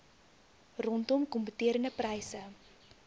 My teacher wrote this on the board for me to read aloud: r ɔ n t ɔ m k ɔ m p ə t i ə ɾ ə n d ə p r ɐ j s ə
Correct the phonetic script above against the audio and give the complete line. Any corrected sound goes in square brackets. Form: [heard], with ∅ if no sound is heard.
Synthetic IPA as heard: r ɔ n t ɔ m k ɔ m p ə t i ə ɾ ə n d ə p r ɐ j s ə